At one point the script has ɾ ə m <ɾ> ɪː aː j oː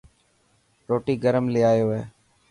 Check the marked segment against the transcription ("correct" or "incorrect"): incorrect